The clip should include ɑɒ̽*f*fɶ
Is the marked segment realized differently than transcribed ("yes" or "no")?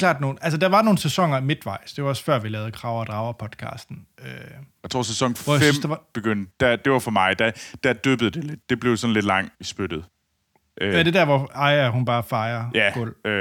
yes